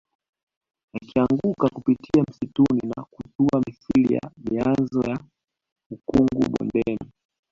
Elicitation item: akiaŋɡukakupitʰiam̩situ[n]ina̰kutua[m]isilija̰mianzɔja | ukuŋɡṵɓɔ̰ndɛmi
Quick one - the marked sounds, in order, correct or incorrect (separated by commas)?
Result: correct, correct